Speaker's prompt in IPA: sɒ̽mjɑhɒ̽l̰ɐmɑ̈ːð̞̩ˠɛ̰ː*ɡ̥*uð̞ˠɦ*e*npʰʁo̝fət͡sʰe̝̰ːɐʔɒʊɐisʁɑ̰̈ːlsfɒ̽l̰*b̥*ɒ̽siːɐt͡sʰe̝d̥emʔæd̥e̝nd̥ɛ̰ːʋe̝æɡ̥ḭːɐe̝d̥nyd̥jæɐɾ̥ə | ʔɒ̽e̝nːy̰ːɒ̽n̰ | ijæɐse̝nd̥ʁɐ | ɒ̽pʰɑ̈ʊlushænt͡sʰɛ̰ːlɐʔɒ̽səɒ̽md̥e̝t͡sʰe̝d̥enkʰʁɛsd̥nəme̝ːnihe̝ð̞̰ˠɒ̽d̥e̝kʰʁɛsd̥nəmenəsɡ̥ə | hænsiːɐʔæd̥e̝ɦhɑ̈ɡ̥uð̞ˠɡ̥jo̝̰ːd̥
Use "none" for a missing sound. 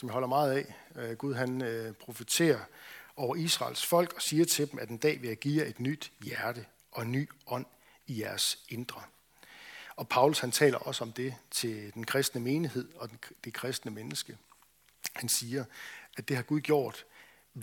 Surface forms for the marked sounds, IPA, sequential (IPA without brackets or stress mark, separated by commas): ɡ̥, æ, ɡ̥